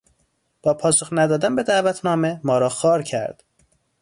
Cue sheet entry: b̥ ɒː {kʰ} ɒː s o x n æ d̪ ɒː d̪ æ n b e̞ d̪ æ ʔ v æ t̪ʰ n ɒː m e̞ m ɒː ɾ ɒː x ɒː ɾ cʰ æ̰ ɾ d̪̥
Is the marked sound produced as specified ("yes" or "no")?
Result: no